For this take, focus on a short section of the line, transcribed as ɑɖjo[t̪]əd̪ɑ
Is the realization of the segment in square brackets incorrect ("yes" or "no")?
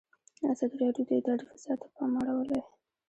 yes